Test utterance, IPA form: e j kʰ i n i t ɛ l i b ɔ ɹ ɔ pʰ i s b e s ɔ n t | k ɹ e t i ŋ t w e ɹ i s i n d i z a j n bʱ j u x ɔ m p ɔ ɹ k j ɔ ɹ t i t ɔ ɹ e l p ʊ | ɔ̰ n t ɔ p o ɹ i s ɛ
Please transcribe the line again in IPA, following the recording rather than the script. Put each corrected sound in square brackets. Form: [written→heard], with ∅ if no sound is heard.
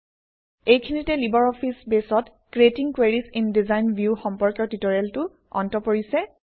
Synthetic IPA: e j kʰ i n i t ɛ l i b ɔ ɹ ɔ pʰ i s b e s ɔ [n→∅] t | k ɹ e t i ŋ [t→k] w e ɹ i s i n d i z a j n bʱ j u x ɔ m p ɔ ɹ k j ɔ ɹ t i t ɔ ɹ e l [p→t] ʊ | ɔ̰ n t ɔ p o ɹ i s ɛ